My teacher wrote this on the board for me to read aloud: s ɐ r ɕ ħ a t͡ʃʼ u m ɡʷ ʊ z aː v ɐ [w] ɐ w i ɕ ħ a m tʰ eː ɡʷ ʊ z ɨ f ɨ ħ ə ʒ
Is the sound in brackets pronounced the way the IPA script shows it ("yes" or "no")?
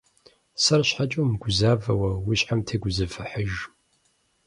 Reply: yes